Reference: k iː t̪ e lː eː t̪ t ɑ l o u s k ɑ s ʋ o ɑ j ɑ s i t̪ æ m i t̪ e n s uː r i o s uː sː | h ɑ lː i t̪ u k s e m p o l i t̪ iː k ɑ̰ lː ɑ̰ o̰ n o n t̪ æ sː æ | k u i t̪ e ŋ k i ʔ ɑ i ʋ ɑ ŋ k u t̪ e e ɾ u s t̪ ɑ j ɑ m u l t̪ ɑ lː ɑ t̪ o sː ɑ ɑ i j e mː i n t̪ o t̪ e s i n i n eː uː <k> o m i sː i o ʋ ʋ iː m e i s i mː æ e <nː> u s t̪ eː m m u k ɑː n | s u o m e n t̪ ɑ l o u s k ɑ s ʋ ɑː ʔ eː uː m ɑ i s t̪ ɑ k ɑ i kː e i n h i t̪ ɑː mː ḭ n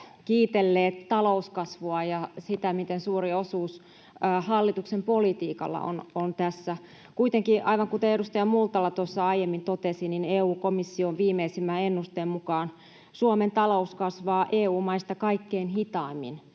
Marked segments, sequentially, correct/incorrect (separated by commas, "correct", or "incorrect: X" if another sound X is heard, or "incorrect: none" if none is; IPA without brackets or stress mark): correct, correct